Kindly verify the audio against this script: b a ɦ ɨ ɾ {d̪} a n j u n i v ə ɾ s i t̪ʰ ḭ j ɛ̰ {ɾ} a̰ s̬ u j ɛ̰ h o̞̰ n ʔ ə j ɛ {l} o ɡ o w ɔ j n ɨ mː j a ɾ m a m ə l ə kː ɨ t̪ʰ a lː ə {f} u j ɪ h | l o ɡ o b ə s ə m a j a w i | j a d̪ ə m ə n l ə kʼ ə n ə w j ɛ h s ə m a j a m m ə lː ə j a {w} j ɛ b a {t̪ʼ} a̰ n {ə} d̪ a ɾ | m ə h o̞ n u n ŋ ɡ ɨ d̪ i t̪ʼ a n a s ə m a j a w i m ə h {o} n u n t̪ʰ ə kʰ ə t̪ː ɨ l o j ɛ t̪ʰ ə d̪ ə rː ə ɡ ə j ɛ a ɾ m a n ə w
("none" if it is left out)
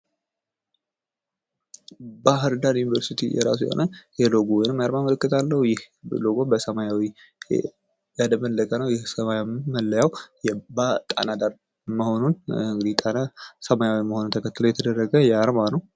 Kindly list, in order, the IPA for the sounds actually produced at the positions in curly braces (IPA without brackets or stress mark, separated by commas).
d̪, ɾ, l, h, w, t̪ʼ, a, o